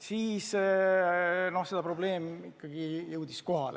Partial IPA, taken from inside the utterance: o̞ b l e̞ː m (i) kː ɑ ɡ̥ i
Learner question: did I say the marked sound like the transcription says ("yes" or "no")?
yes